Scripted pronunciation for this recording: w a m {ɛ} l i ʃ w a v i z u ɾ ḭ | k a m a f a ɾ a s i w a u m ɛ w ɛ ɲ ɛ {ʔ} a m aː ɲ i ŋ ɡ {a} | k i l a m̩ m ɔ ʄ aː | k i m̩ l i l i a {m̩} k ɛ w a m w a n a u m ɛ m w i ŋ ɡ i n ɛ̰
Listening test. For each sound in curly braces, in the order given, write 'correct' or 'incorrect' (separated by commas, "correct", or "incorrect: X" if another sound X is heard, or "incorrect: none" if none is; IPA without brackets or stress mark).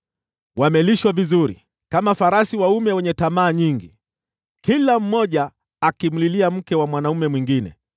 correct, incorrect: t, incorrect: i, correct